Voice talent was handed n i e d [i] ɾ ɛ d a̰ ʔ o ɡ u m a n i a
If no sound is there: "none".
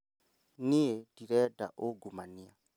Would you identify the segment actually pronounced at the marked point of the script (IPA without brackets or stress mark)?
i